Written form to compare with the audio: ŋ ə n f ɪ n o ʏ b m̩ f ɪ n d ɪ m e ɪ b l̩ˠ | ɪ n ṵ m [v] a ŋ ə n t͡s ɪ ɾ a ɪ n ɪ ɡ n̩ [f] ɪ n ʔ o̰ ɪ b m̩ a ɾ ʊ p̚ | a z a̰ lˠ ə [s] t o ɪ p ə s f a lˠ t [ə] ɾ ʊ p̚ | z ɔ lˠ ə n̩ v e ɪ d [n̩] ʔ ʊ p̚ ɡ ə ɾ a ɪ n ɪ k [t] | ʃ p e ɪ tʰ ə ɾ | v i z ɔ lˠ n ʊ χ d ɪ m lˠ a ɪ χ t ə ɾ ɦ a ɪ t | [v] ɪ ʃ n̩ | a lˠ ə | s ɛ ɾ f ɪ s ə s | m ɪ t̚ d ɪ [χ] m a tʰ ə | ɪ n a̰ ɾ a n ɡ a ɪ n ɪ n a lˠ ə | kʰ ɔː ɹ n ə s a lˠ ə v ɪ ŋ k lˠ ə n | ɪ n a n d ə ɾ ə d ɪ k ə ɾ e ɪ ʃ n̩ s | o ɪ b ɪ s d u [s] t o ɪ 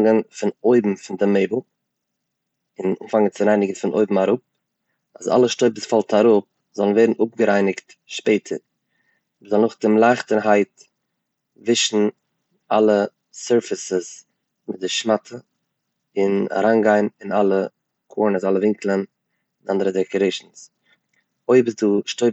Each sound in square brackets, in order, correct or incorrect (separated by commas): incorrect, correct, incorrect, incorrect, correct, correct, correct, incorrect, incorrect